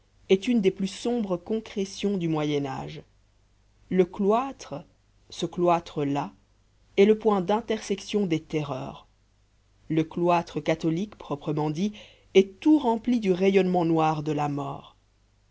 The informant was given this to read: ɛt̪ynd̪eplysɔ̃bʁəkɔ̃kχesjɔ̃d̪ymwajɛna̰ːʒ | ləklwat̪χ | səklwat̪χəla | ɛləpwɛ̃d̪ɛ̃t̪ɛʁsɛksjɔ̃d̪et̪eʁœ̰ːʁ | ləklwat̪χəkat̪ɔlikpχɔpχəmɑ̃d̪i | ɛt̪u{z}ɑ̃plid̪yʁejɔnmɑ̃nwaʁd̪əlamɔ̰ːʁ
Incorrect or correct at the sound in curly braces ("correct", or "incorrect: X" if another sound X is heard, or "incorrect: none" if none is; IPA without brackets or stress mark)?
incorrect: ʁ